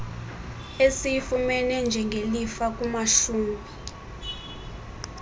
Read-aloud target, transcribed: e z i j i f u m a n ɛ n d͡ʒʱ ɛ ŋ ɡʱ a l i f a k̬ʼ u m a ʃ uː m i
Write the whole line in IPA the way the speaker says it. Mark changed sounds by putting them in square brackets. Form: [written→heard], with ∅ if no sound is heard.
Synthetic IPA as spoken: e [z→s] i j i f u m [a→ɛ] n ɛ n d͡ʒʱ ɛ ŋ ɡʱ [a→e] l i f a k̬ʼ u m a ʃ uː m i